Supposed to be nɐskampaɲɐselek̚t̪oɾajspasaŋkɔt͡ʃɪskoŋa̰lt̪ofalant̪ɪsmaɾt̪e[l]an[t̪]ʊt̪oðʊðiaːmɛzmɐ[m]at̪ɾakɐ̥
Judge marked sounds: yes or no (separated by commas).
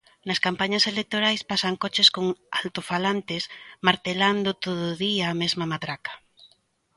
yes, no, yes